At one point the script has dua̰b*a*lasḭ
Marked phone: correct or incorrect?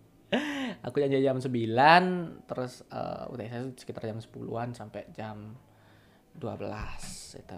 incorrect